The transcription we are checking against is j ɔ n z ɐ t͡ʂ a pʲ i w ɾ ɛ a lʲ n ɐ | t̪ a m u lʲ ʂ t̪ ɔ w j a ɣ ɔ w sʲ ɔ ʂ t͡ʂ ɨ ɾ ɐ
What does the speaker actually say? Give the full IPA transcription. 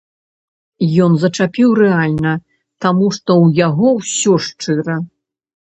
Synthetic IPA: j ɔ n z ɐ t͡ʂ a pʲ i w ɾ ɛ a lʲ n ɐ | t̪ a m u ʂ t̪ ɔ w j a ɣ ɔ w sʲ ɔ ʂ t͡ʂ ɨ ɾ ɐ